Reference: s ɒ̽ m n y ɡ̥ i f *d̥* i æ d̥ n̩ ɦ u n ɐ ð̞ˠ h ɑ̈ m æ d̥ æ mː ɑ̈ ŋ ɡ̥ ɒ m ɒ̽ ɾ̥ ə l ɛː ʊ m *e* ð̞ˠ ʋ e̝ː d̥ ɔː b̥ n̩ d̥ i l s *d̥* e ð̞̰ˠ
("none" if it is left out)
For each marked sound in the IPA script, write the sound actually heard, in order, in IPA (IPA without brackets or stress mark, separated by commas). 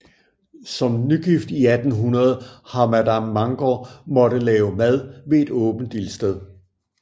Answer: d̥, æ, d̥